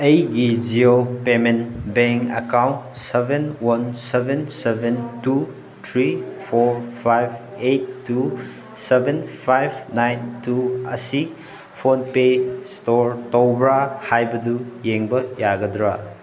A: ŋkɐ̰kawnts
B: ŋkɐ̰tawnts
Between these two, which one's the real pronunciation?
A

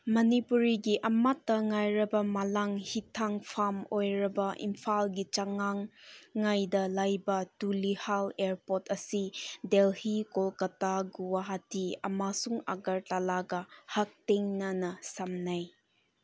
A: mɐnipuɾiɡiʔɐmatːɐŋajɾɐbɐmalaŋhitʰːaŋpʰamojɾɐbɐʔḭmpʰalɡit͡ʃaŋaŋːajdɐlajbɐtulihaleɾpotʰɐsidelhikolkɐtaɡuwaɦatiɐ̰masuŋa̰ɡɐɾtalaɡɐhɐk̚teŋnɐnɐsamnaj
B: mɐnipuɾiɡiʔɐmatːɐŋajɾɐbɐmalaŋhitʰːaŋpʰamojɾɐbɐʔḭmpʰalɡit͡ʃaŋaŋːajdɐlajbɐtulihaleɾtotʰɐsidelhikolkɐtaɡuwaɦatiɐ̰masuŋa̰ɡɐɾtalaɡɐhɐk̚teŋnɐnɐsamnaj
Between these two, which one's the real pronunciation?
A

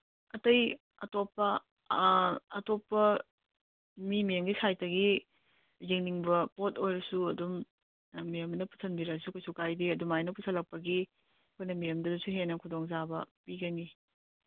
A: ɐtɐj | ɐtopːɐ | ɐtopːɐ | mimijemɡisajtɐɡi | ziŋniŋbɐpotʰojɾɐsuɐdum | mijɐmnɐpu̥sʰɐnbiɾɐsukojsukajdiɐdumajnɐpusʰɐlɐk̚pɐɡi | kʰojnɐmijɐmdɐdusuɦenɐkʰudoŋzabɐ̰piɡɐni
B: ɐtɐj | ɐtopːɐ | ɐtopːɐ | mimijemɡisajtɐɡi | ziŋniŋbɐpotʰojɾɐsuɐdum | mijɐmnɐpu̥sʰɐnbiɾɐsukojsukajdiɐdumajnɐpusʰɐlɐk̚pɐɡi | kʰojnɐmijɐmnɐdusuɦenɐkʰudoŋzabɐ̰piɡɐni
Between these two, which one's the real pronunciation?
A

